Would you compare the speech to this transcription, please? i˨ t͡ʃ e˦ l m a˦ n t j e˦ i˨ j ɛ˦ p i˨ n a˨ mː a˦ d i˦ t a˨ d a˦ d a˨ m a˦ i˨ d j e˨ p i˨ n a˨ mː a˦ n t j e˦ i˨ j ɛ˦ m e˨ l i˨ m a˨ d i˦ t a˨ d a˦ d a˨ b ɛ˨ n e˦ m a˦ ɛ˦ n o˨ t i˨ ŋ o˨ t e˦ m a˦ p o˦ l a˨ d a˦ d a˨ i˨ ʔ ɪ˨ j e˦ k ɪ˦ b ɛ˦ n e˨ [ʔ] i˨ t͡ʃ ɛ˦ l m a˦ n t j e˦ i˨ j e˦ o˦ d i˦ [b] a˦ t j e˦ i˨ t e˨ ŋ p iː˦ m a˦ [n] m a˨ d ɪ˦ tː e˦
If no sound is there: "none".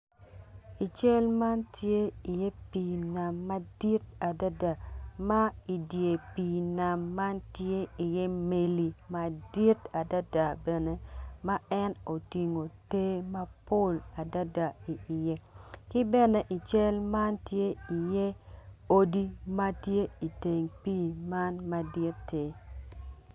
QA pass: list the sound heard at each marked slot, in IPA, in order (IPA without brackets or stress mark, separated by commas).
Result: ʔ, m, n